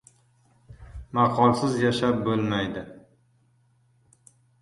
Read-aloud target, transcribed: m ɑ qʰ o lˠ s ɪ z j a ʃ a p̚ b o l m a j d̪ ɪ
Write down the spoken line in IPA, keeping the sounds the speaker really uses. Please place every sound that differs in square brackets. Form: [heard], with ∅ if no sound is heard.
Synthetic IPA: m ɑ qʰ [ɒ] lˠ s ɪ z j a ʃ a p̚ b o l m a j d̪ ɪ